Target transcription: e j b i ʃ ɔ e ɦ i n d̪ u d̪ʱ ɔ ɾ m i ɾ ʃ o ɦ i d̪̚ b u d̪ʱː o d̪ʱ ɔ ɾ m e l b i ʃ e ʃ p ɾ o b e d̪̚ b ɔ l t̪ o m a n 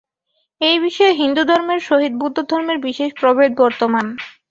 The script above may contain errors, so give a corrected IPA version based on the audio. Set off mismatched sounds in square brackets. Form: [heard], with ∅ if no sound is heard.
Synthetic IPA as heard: e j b i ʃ ɔ e ɦ i n d̪ u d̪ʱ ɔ ɾ m [e] ɾ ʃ o ɦ i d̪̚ b u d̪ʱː o d̪ʱ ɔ ɾ m e [ɾ] b i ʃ e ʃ p ɾ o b e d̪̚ b ɔ [ɾ] t̪ o m a n

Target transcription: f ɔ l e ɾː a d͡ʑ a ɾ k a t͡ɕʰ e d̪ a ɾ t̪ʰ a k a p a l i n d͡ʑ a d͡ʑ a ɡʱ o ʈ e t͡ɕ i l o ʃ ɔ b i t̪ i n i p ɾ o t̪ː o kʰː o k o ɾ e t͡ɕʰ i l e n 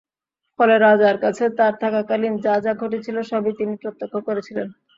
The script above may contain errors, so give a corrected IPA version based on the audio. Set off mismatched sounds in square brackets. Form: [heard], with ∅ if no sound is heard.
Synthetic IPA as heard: f ɔ l e [ɾ] a d͡ʑ a ɾ k a t͡ɕʰ e [t̪] a ɾ t̪ʰ a k a [k] a l i n d͡ʑ a d͡ʑ a ɡʱ o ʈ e [t͡ɕʰ] i l o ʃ ɔ b i t̪ i n i p ɾ o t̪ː o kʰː o k o ɾ e t͡ɕʰ i l e n

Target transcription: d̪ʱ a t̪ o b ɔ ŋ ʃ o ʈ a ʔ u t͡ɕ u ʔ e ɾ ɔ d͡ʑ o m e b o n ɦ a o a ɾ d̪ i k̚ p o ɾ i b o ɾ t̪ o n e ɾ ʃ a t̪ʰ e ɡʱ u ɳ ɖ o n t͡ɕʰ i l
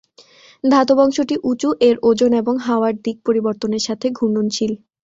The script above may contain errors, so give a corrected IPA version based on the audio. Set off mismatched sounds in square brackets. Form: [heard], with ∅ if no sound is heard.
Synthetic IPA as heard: d̪ʱ a t̪ o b ɔ ŋ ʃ o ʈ [i] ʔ u t͡ɕ u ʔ e ɾ [o] d͡ʑ o [n] e b o [ŋ] ɦ a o a ɾ d̪ i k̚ p o ɾ i b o ɾ t̪ o n e ɾ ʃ a t̪ʰ e ɡʱ u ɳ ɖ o n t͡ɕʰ i l

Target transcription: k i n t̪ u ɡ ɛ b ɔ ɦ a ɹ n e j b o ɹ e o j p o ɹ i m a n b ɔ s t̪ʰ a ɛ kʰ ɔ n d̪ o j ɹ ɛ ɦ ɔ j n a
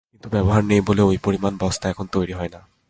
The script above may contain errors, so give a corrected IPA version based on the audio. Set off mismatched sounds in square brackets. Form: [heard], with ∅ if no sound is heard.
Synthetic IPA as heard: k i n t̪ u [b] ɛ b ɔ ɦ a ɹ n e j b o [l] e o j p o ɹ i m a n b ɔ s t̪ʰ a ɛ kʰ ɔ n [t̪] o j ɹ [i] ɦ ɔ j n a

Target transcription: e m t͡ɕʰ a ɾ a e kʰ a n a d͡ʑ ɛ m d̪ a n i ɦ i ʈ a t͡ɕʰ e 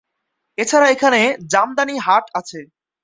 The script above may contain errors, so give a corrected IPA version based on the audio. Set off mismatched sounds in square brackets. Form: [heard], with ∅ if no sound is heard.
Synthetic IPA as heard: e [∅] t͡ɕʰ a ɾ a e kʰ a n [e] d͡ʑ [a] m d̪ a n i ɦ [a] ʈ a t͡ɕʰ e

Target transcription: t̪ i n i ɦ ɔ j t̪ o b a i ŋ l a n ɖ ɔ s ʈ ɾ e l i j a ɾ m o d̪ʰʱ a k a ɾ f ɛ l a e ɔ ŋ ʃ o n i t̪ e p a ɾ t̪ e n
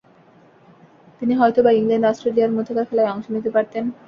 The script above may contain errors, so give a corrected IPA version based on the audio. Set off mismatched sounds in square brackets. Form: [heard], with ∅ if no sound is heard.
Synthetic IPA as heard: t̪ i n i ɦ ɔ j t̪ o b a i ŋ l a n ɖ ɔ s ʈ ɾ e l i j a ɾ m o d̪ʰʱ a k a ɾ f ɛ l a e ɔ ŋ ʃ o n i t̪ e p a ɾ t̪ e n

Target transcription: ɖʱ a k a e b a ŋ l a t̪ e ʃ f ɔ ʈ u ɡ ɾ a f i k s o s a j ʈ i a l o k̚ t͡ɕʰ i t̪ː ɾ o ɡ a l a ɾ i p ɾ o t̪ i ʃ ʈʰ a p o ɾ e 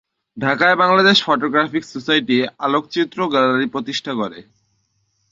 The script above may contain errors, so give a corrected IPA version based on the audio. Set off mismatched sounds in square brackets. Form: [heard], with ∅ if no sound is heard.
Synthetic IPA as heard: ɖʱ a k a e b a ŋ l a [d̪] e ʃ f ɔ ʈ [o] ɡ ɾ a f i k s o s a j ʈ i a l o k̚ [t͡ɕ] i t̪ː ɾ o ɡ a l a ɾ i p ɾ o t̪ i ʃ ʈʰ a [k] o ɾ e

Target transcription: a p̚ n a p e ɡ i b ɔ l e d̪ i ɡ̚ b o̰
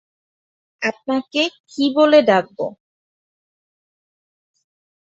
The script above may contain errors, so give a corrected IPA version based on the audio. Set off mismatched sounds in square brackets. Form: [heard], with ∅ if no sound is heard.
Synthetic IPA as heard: a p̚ n a [k] e [k] i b [o] l e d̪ [a] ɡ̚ b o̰

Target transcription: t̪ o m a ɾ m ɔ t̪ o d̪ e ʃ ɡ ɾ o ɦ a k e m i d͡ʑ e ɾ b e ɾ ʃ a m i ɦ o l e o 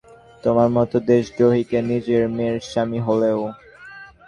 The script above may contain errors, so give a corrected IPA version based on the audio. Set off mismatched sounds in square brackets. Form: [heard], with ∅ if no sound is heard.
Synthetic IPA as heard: t̪ o m a ɾ m ɔ t̪ o d̪ e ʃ ɡ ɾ o ɦ [i] k e [n] i d͡ʑ e ɾ [m] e ɾ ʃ a m i ɦ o l e o

